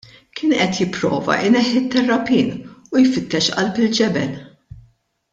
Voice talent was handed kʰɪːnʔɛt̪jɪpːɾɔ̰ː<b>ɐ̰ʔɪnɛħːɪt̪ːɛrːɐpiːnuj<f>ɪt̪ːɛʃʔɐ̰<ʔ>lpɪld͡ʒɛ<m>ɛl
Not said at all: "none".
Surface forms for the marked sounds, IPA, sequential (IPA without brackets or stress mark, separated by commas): v, f, none, b